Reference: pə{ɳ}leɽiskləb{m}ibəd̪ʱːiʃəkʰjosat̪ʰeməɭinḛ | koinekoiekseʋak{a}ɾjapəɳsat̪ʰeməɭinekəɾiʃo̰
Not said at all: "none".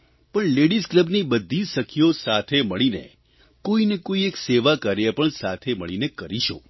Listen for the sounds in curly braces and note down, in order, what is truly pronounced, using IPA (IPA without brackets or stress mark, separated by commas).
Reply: ɳ, n, ə